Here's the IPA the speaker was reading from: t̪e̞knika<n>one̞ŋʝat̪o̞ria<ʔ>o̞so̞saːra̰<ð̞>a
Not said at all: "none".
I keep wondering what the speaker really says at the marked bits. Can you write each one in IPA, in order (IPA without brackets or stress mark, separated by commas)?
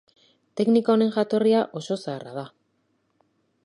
none, ʔ, ð̞